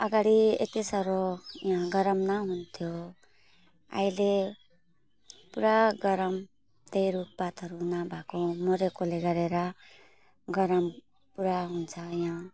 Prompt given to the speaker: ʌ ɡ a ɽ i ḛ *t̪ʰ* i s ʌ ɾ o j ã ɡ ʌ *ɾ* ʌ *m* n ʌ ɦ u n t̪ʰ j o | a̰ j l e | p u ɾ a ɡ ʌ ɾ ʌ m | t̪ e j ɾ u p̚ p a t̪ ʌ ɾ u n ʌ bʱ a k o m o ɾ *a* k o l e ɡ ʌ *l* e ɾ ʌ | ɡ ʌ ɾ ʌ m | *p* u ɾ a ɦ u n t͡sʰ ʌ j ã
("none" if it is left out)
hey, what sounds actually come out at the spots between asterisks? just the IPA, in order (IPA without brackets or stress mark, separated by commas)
t̪, ɾ, m, e, ɾ, p